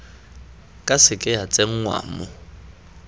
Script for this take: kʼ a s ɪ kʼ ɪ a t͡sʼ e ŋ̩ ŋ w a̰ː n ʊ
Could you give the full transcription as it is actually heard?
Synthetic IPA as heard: kʼ a s ɪ kʼ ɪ a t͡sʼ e ŋ̩ ŋ w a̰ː m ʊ